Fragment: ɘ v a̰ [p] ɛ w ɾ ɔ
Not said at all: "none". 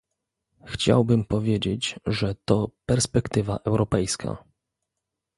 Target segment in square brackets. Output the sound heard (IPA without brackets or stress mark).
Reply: ʔ